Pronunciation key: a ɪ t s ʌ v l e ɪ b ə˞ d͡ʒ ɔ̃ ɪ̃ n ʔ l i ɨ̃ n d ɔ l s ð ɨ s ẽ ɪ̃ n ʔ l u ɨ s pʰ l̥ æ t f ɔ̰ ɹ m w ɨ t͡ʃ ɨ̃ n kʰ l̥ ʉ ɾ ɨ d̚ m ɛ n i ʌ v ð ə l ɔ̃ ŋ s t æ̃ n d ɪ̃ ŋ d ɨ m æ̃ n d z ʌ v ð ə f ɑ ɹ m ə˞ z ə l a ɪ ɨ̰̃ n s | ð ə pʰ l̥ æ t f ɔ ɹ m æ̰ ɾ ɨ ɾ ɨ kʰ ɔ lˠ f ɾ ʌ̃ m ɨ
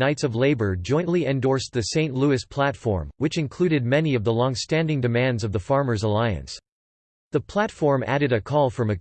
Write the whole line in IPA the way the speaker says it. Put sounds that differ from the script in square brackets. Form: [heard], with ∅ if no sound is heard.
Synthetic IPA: a ɪ t s ʌ v l e ɪ b ə˞ d͡ʒ ɔ̃ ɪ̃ n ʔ l i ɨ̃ n d ɔ [ɹ] s ð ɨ s ẽ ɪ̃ n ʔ l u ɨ s pʰ l̥ æ t f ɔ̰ ɹ m w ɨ t͡ʃ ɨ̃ n kʰ l̥ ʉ ɾ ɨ d̚ m ɛ n i ʌ v ð ə l ɔ̃ ŋ s t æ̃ n d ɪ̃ ŋ d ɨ m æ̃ n d z ʌ v ð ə f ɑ ɹ m ə˞ z ə l a ɪ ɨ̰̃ n s | ð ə pʰ l̥ æ t f ɔ ɹ m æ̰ ɾ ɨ ɾ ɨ kʰ ɔ lˠ f [ɹ] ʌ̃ m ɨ